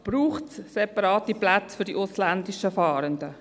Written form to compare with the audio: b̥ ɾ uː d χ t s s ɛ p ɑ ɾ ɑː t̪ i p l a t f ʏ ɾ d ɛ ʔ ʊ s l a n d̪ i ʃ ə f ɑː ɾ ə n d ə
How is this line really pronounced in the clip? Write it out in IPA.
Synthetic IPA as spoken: b̥ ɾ uː χ t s s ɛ p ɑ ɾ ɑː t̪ i p l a t͡s f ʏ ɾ d i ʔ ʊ s l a n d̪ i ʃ ə f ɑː ɾ ə n d ə